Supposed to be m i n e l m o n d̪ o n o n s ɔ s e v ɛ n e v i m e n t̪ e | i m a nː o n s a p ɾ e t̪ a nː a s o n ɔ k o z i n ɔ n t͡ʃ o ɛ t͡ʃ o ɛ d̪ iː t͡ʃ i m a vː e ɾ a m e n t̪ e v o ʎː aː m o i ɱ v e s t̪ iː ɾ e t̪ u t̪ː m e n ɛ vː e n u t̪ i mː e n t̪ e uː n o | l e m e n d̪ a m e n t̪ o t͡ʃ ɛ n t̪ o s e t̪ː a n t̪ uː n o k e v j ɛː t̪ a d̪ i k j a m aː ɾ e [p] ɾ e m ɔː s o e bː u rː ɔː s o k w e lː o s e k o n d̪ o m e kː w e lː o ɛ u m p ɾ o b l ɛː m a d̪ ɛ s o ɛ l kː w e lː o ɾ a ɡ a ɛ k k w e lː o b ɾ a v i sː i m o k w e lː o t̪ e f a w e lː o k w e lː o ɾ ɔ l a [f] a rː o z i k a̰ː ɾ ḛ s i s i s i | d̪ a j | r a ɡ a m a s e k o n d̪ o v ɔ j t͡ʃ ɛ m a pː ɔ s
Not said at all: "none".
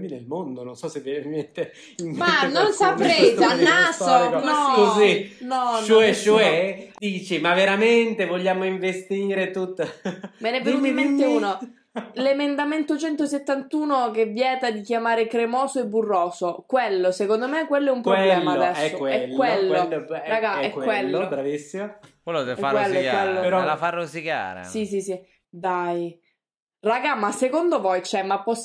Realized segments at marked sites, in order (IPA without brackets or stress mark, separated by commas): k, f